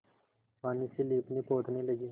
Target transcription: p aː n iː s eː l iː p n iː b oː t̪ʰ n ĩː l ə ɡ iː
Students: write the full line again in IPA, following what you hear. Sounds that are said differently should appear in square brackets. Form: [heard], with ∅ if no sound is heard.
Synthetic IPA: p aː n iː s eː l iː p n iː [p] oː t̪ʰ n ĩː l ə ɡ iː